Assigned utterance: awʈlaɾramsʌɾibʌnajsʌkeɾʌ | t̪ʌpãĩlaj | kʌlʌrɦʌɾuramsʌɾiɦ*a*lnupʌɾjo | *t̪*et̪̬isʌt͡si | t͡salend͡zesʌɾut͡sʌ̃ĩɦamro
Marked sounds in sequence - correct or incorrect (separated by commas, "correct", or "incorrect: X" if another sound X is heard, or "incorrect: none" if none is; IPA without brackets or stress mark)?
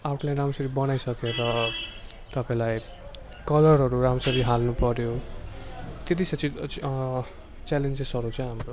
correct, correct